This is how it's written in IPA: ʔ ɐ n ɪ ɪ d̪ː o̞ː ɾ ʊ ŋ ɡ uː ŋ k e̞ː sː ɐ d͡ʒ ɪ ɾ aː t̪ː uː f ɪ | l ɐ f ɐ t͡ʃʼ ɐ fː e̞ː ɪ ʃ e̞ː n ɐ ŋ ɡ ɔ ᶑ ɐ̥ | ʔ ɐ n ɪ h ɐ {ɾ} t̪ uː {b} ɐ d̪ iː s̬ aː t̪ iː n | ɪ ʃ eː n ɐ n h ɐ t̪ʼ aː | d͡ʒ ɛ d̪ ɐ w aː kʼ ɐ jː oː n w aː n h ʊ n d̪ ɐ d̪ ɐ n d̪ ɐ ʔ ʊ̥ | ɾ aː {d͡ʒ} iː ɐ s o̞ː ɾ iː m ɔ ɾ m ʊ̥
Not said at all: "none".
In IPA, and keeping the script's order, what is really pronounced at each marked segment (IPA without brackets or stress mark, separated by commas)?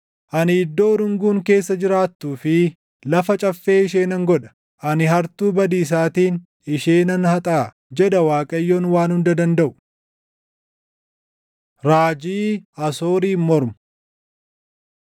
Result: ɾ, b, d͡ʒ